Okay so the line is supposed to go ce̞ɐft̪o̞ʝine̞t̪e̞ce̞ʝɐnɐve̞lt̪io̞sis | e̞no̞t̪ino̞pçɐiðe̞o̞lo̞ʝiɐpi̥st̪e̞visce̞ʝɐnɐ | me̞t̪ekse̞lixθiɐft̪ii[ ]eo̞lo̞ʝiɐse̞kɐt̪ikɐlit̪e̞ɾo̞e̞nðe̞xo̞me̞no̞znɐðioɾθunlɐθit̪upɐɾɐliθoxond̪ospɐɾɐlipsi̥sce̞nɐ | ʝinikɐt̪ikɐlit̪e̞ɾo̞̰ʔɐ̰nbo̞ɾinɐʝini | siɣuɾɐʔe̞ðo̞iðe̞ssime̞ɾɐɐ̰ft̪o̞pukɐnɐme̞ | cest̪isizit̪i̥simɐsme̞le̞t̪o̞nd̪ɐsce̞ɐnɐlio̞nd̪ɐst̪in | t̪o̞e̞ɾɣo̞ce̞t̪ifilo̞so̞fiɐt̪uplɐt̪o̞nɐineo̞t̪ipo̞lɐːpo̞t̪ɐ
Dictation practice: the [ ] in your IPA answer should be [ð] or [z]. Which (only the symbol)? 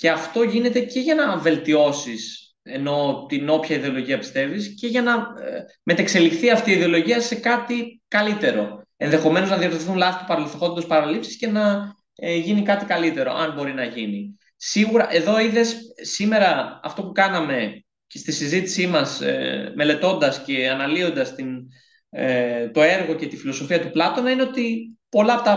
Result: ð